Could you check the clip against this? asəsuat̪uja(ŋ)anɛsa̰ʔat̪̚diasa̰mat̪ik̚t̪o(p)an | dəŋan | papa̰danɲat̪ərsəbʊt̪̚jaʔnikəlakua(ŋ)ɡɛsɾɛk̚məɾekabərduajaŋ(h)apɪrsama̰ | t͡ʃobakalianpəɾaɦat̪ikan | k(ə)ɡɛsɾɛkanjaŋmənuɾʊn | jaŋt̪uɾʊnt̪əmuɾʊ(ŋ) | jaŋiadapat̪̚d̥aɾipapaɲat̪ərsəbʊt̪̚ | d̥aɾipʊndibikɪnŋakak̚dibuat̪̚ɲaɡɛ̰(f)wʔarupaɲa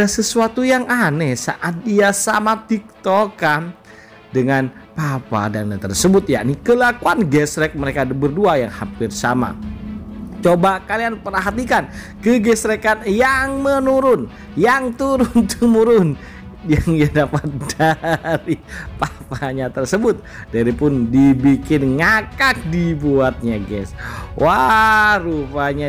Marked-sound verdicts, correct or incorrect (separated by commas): correct, incorrect, incorrect, correct, correct, incorrect, incorrect